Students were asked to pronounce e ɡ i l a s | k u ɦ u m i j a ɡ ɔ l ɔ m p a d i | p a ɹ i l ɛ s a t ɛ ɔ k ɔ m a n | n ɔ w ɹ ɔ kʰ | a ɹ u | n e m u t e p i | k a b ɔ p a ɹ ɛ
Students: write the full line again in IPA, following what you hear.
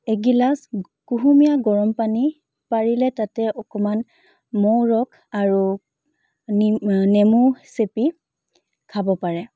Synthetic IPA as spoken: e ɡ i l a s | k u ɦ u m i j a ɡ ɔ ɹ ɔ m p a n i | p a ɹ i l ɛ t a t ɛ ɔ k ɔ m a n | m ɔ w ɹ ɔ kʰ | a ɹ u | n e m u s e p i | kʰ a b ɔ p a ɹ ɛ